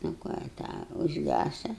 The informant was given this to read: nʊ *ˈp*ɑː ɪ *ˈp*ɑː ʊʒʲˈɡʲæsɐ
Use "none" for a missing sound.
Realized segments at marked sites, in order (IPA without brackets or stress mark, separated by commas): k, t